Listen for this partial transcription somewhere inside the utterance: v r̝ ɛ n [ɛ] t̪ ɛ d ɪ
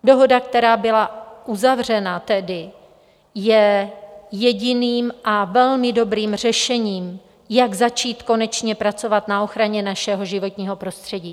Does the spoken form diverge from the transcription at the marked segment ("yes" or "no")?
yes